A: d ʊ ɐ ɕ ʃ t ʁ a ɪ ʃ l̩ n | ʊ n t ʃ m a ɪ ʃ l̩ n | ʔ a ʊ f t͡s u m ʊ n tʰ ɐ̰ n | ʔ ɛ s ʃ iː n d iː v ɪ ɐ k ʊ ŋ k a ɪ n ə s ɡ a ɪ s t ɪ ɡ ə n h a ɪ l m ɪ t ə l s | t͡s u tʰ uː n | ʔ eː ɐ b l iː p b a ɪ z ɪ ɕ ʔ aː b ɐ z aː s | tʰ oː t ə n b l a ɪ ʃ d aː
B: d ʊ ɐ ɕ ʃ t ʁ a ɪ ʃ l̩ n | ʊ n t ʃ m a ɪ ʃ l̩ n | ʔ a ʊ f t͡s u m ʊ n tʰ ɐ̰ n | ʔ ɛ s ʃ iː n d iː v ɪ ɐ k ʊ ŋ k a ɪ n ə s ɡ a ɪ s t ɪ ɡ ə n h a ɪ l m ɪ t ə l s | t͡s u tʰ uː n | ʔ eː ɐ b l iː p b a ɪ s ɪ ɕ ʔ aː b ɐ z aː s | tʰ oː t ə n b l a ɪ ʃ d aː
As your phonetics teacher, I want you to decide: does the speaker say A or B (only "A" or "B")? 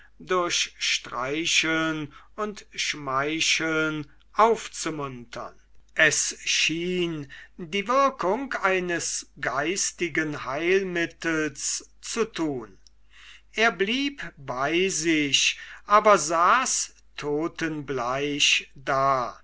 A